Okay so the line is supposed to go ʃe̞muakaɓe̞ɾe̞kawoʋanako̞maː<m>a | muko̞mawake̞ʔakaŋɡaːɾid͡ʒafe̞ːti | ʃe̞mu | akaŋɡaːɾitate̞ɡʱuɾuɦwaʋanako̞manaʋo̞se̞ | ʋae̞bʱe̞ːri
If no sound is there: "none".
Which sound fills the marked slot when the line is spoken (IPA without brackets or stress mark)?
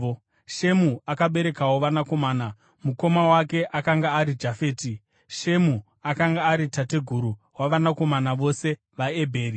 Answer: n